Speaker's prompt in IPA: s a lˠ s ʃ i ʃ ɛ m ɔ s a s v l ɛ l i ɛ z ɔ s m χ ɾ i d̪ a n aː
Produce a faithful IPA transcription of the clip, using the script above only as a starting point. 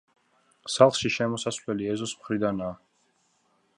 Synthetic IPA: s a lˠ χ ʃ i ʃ ɛ m ɔ s a s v l ɛ l i ɛ z ɔ s m χ ɾ i d̪ a n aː